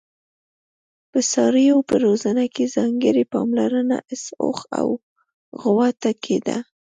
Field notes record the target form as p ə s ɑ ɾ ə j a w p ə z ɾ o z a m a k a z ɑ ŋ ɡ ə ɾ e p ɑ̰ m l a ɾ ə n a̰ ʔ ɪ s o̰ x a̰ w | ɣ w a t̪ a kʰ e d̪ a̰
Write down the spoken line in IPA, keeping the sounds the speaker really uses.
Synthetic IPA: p ə s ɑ ɾ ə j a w p ə ɾ o z a n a k e z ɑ ŋ ɡ ə ɾ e p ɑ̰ m l a ɾ ə n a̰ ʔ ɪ s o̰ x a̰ w | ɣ w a t̪ a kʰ e d̪ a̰